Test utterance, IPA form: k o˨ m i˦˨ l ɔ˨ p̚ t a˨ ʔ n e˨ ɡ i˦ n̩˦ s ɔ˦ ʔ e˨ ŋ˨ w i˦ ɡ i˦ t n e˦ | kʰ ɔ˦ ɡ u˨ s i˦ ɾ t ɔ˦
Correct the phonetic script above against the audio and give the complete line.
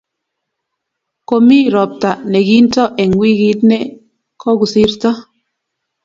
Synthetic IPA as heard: k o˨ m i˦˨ ɾ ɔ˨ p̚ t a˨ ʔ n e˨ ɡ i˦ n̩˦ t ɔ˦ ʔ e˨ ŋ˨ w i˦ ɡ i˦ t n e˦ | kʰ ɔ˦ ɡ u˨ s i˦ ɾ t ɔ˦